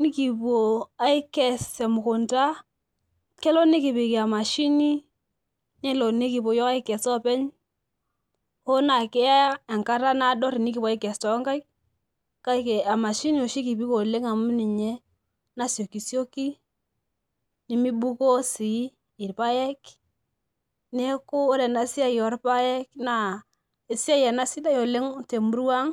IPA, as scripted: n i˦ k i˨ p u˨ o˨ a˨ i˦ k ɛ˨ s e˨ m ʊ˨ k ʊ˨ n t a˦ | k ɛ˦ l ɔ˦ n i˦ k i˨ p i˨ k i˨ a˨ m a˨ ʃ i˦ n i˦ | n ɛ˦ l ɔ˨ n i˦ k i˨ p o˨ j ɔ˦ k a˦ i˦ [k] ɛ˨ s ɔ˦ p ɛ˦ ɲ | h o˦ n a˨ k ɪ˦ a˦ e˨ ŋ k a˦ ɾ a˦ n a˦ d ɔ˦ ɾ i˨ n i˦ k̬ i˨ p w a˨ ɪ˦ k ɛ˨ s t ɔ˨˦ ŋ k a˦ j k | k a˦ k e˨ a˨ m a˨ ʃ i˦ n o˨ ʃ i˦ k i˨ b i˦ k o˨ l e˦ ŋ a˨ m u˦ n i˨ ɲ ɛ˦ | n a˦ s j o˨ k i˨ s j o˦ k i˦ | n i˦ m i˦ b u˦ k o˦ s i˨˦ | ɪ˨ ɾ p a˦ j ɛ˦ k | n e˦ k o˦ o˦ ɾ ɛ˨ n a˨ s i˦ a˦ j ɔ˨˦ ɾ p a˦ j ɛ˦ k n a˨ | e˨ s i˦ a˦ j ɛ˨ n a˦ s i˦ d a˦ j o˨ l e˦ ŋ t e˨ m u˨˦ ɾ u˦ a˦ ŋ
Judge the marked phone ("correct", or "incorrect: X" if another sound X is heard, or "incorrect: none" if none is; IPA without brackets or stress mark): correct